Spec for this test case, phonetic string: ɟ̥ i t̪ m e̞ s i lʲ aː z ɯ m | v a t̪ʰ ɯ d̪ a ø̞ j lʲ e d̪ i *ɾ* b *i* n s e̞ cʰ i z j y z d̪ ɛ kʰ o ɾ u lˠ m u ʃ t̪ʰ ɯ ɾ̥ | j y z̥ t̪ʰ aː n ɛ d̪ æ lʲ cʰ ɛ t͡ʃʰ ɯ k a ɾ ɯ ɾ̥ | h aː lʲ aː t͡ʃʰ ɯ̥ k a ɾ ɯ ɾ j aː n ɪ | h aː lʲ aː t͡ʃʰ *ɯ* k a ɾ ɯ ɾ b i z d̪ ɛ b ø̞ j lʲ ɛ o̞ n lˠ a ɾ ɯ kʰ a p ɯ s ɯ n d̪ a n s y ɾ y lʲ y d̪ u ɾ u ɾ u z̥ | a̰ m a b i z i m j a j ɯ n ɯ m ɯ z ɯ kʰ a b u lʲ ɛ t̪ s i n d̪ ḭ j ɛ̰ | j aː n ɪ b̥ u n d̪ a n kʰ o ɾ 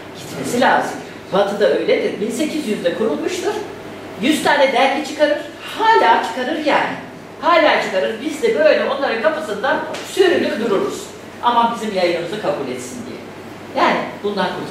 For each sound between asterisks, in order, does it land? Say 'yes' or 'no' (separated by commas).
yes, yes, yes